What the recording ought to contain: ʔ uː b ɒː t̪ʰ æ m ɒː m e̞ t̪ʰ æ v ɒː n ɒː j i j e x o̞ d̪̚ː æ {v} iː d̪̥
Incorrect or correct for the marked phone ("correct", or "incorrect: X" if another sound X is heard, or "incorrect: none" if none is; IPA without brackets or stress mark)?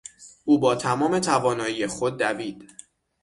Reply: correct